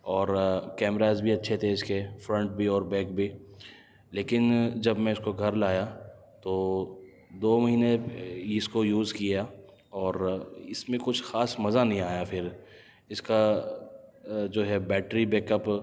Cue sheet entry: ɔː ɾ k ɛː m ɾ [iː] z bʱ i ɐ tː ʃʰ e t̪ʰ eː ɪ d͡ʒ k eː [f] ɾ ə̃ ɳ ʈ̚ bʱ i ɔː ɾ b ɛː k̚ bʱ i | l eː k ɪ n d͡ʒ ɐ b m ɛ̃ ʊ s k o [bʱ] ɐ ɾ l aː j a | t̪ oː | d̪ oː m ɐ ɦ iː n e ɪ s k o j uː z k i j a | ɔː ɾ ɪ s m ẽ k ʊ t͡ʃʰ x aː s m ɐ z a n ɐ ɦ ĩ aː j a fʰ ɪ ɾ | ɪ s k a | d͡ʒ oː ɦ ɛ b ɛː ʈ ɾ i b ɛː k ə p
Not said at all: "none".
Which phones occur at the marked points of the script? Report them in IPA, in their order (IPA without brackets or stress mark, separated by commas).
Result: aː, f, ɡʱ